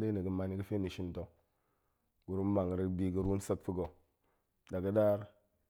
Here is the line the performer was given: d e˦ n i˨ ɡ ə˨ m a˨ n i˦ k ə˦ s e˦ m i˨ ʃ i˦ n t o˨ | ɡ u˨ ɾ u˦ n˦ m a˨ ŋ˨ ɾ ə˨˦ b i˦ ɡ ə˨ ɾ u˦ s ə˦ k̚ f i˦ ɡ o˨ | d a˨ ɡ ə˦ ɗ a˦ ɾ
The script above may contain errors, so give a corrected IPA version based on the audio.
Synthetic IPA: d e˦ n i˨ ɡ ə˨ m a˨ n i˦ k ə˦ f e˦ n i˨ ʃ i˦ n t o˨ | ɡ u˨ ɾ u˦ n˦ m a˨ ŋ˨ ɾ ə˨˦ b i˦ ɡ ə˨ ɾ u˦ s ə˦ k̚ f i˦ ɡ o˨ | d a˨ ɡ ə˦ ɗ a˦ ɾ